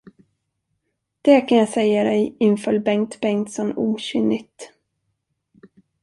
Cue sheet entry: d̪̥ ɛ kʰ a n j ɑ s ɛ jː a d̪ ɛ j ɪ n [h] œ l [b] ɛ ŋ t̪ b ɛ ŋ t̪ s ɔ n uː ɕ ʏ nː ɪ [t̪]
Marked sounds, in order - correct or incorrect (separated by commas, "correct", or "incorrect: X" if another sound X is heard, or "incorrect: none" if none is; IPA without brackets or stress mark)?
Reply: incorrect: f, correct, correct